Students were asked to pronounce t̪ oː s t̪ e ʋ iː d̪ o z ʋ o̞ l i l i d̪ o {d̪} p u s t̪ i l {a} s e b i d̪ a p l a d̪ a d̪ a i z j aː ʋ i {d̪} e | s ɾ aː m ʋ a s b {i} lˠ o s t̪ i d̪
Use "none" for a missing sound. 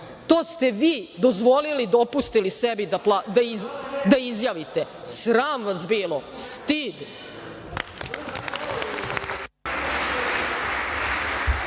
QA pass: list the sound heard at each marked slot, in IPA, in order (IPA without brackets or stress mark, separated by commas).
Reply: none, i, t̪, iː